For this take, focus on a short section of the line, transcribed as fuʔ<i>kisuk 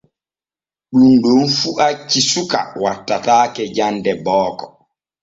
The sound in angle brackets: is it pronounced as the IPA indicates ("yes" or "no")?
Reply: no